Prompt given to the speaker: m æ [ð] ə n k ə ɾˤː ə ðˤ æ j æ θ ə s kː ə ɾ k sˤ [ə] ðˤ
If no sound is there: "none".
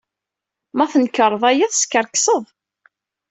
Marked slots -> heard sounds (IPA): θ, ə

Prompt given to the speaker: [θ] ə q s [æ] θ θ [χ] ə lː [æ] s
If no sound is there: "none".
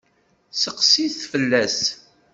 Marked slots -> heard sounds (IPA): s, i, f, æ

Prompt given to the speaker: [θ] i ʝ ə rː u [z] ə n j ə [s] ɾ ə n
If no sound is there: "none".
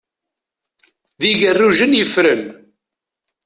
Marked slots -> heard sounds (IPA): ð, ʒ, f

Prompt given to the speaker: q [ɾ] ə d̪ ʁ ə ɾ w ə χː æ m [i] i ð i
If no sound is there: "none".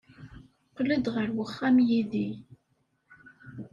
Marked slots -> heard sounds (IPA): l, j

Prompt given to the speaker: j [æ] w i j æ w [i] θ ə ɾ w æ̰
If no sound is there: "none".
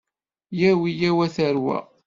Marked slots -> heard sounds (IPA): æ, æ

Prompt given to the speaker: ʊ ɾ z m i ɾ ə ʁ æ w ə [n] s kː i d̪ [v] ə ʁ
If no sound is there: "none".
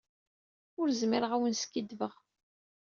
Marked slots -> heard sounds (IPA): n, v

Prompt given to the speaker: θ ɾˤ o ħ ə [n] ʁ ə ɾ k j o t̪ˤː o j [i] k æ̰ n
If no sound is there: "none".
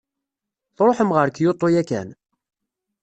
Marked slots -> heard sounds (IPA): m, æ

